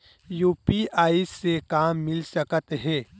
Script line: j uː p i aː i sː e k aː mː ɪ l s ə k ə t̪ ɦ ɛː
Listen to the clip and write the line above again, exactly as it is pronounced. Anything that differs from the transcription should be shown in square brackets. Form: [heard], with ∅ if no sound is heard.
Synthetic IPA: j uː p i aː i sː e k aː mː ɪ l s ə k ə t̪ ɦ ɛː